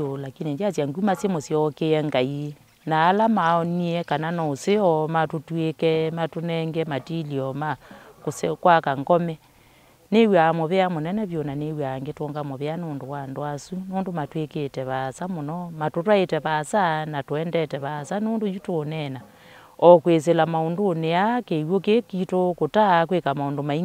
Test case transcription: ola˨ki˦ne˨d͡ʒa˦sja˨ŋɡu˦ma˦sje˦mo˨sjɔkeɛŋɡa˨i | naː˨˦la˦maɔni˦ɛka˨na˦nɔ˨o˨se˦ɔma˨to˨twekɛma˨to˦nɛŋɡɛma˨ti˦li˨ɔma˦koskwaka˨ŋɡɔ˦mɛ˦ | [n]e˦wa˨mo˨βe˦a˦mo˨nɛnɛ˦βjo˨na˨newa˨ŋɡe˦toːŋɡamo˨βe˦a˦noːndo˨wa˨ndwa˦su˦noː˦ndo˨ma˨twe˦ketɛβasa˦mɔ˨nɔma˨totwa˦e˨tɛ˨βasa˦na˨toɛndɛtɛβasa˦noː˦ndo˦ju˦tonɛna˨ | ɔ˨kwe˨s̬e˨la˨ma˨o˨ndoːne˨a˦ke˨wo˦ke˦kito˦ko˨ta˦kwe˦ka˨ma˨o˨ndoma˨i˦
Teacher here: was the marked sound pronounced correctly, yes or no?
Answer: yes